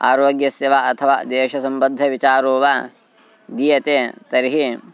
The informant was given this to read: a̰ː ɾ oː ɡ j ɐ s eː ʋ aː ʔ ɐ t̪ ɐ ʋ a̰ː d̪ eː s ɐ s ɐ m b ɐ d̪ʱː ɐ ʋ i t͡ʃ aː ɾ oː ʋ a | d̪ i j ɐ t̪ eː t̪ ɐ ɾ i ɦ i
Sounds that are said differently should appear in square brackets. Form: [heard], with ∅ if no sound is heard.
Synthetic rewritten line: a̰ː ɾ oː ɡ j ɐ s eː ʋ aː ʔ ɐ [t̪ʰ] ɐ ʋ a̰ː d̪ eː [ʃ] ɐ s ɐ m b ɐ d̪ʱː ɐ ʋ i t͡ʃ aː ɾ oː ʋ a | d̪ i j ɐ t̪ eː t̪ ɐ ɾ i ɦ i